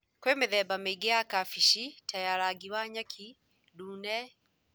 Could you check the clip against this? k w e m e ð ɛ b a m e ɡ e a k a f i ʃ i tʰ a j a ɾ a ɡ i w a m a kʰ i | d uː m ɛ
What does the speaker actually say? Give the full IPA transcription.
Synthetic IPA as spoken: k w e m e ð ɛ b a m e ɡ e a k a f i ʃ i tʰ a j a ɾ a ɡ i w a ɲ a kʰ i | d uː n ɛ